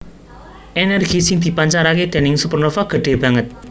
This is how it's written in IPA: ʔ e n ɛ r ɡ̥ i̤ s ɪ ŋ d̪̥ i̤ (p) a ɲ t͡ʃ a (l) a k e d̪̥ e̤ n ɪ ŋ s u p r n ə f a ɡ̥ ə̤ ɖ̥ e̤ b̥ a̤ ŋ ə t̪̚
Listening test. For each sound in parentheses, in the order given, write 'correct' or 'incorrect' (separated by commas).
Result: correct, incorrect